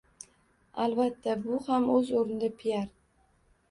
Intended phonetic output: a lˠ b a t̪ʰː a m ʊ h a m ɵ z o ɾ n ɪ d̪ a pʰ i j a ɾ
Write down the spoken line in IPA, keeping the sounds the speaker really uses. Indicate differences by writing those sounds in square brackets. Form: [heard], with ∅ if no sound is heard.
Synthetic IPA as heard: a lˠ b a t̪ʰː a [b] ʊ h a m ɵ z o ɾ n ɪ d̪ a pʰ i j a ɾ